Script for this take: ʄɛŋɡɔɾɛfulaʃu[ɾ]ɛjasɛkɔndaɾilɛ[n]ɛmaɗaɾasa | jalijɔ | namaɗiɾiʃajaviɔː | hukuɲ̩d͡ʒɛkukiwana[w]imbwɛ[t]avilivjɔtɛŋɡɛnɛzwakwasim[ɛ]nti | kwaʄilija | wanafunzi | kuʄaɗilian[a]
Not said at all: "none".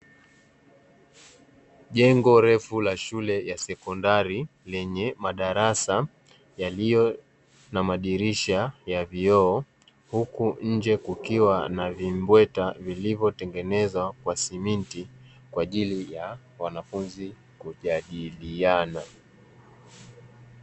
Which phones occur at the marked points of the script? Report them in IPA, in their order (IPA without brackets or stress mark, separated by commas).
l, ɲ, v, t, i, a